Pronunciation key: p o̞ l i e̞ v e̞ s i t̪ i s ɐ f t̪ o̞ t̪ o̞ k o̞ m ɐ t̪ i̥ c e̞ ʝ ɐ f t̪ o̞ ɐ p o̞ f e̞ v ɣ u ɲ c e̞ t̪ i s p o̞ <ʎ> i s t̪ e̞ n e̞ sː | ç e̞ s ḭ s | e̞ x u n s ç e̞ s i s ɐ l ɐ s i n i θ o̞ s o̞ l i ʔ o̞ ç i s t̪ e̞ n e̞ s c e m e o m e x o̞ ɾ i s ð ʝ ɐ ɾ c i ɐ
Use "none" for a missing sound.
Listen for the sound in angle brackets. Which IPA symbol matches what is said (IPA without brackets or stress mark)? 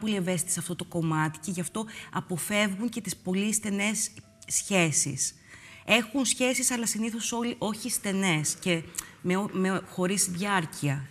l